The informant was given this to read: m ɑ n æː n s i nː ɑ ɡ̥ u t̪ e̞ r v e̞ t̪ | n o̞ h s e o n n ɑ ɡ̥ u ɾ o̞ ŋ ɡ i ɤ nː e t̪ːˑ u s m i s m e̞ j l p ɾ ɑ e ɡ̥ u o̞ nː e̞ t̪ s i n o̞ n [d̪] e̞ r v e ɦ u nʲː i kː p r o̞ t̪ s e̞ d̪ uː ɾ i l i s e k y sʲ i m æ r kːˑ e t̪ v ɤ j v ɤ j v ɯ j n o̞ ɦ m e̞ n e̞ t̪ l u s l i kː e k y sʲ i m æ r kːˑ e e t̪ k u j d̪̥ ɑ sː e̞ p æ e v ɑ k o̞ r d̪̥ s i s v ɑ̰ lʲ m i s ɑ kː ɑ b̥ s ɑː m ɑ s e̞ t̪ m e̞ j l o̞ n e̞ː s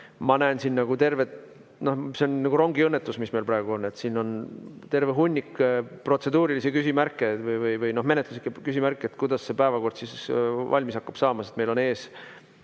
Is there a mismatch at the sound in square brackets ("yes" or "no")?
yes